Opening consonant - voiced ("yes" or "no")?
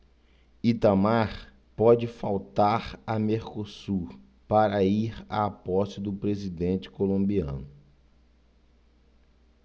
no